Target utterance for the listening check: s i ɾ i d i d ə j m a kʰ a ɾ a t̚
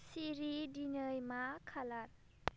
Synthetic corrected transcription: s i ɾ i d i n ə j m a kʰ a l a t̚